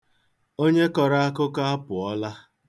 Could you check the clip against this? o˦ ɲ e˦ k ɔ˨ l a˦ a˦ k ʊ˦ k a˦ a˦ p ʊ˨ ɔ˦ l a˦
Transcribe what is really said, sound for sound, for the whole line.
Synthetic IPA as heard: o˦ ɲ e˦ k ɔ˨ ɾ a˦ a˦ k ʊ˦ k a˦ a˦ p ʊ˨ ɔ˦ l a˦